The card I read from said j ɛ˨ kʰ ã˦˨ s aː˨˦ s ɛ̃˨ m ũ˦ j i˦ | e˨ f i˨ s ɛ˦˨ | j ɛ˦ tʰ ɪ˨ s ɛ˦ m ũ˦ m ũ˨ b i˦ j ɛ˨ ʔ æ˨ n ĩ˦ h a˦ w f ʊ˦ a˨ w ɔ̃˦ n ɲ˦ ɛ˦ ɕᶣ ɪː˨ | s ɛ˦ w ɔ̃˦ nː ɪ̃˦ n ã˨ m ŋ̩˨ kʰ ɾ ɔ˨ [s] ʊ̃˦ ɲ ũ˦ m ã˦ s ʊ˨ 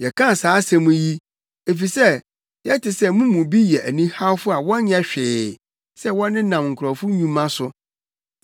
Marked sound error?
yes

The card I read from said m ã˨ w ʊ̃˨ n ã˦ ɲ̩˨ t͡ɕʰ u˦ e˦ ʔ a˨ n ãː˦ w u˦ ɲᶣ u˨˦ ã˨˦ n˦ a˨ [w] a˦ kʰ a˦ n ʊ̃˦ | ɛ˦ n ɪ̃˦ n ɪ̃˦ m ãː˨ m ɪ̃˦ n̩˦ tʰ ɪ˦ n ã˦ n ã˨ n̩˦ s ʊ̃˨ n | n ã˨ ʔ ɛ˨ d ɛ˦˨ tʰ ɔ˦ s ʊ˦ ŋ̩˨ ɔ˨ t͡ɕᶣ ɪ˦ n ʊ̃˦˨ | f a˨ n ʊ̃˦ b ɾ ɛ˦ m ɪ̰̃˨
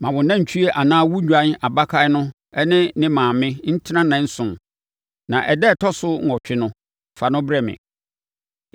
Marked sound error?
yes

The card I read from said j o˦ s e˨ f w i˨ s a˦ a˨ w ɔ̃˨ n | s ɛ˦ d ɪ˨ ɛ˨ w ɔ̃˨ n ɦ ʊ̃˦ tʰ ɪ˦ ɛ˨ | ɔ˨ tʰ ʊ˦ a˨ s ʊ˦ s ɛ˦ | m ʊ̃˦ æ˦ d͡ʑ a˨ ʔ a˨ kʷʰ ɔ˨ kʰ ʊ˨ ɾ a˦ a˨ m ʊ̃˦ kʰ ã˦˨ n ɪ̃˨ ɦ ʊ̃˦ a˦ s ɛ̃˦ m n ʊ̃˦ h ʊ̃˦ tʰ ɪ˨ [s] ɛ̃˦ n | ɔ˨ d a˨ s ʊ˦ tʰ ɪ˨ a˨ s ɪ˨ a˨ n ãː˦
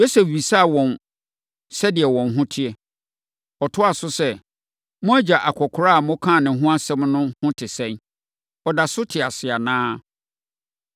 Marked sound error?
no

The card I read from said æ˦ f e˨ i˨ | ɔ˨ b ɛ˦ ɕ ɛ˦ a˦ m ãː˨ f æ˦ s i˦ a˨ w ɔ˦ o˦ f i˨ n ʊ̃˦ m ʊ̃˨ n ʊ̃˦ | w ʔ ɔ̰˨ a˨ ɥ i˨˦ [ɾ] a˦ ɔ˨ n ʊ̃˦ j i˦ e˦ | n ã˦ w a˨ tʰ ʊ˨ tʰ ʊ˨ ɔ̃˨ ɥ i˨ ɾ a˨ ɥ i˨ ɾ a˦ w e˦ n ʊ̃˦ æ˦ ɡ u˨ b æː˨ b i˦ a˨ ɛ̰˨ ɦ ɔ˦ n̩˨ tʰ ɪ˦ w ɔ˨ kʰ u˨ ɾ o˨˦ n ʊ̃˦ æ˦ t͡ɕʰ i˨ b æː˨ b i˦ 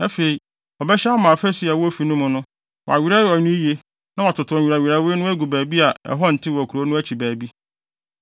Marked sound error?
no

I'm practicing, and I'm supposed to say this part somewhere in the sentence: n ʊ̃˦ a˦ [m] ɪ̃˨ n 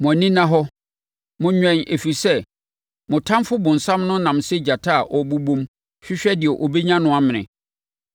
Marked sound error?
no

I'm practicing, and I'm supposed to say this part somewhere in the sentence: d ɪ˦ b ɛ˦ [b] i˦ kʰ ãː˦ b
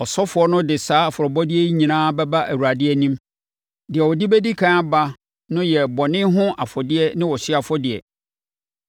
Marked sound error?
yes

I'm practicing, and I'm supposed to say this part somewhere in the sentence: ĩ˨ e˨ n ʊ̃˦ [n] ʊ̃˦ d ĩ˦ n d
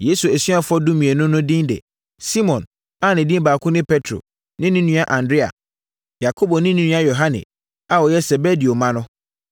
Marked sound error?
no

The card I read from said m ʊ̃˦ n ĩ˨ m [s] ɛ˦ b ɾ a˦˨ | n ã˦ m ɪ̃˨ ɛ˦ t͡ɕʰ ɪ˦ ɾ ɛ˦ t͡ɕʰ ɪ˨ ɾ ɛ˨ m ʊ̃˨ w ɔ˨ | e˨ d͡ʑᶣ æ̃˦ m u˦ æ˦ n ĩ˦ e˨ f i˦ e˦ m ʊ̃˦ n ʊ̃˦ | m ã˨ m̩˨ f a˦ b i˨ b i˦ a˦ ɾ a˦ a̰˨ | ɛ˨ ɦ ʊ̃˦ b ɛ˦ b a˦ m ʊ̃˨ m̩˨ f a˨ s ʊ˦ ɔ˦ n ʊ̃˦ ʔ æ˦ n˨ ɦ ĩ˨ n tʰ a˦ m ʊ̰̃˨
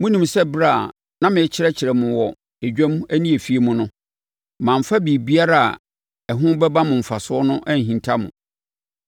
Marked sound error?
no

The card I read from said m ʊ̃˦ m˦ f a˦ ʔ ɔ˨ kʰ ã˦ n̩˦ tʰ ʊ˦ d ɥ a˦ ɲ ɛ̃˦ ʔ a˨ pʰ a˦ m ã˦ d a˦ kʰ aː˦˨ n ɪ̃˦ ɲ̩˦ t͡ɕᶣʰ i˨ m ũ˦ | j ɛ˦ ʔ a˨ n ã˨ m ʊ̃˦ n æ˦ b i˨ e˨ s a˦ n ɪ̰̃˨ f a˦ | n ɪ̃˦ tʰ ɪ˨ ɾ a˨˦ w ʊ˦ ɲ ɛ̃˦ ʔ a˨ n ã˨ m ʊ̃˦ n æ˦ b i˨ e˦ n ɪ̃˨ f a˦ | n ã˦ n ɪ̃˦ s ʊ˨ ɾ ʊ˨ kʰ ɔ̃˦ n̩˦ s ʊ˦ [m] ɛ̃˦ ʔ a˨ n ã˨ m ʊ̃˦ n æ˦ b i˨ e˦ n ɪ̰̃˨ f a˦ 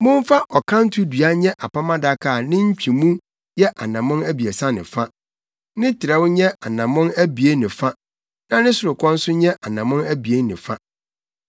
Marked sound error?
yes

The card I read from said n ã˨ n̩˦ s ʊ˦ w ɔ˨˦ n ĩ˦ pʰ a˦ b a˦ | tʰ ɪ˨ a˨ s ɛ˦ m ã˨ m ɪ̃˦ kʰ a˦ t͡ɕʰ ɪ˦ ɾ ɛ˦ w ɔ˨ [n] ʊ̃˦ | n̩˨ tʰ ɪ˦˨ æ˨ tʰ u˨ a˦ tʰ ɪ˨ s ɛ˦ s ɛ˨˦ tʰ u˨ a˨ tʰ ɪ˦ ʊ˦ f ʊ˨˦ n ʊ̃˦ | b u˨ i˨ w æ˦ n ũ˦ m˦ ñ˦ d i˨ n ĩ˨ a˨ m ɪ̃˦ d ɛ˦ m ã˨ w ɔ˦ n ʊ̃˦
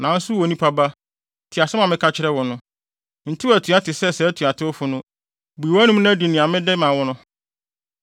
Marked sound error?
no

